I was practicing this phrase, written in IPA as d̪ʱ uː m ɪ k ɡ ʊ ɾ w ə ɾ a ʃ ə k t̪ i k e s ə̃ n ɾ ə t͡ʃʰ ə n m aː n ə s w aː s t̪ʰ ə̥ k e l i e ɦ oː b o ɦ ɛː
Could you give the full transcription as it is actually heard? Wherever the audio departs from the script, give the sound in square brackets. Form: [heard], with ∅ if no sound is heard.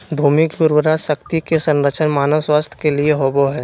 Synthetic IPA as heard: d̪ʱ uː m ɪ k ɡ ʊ ɾ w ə ɾ a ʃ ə k t̪ i k e s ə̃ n ɾ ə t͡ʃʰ ə n m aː n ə s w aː s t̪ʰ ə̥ k e l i e ɦ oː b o ɦ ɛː